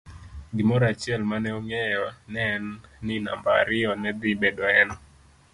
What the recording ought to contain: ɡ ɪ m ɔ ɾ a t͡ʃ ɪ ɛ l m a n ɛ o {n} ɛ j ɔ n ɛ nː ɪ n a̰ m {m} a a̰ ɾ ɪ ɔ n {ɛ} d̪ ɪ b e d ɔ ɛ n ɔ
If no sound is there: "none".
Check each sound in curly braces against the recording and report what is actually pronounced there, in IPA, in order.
ŋ, b, ɛ

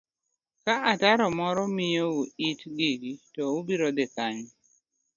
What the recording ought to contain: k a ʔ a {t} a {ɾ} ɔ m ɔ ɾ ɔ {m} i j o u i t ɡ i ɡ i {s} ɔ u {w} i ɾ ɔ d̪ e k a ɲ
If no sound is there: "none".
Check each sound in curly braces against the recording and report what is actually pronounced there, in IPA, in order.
t, ɾ, m, t, b

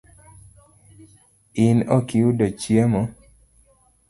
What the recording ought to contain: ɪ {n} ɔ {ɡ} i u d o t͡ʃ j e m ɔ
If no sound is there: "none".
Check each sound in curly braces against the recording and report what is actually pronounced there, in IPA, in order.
n, k

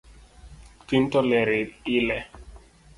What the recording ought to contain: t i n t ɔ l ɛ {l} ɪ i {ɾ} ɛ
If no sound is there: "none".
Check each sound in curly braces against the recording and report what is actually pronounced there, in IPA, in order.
ɾ, l

